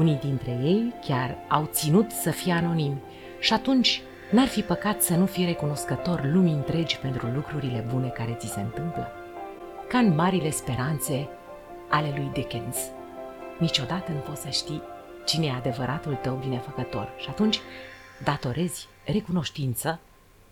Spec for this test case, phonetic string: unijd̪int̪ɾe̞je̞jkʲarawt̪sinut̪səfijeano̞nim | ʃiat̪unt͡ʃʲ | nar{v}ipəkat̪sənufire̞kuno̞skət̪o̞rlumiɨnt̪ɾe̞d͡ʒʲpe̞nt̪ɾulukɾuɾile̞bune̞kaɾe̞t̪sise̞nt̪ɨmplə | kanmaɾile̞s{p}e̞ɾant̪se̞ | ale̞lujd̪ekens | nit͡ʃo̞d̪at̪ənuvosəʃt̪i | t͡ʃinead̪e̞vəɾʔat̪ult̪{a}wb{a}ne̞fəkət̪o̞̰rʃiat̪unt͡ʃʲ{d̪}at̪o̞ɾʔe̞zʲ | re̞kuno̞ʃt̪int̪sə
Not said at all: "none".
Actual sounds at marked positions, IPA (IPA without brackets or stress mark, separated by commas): f, p, ə, i, d̪